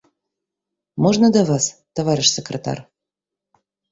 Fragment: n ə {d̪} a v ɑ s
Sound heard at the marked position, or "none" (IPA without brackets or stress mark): d̪